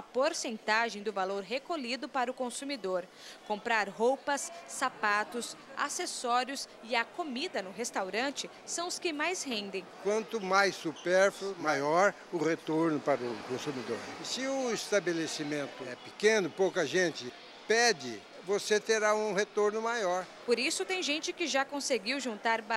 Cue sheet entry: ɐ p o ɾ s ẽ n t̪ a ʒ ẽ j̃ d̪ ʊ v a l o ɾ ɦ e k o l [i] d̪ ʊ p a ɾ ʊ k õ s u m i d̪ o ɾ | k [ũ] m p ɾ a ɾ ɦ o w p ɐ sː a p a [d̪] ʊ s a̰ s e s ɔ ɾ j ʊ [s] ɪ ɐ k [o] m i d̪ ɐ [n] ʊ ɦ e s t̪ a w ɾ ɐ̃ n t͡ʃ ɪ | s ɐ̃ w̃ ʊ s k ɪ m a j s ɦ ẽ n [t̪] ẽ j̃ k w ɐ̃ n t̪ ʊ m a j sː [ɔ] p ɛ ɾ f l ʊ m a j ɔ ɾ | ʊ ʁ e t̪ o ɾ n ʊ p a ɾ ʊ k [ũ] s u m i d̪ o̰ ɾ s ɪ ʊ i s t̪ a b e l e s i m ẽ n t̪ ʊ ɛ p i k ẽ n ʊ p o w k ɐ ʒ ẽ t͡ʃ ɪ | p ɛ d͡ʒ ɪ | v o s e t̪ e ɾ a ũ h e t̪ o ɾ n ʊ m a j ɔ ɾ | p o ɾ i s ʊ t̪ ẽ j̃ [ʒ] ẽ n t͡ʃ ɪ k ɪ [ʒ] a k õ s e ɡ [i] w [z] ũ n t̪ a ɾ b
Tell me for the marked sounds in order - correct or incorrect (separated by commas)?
correct, incorrect, incorrect, correct, correct, correct, incorrect, incorrect, incorrect, correct, correct, correct, incorrect